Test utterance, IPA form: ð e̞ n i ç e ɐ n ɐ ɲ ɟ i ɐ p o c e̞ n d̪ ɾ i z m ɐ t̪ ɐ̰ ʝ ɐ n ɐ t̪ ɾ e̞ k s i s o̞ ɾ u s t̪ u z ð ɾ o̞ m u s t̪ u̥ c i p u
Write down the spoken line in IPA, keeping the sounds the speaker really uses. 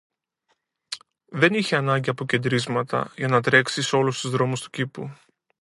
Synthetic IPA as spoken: ð e̞ n i ç e ɐ n ɐ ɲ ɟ i ɐ p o c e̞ n d̪ ɾ i z m ɐ t̪ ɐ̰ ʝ ɐ n ɐ t̪ ɾ e̞ k s i s o̞ l u s t̪ u z ð ɾ o̞ m u s t̪ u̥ c i p u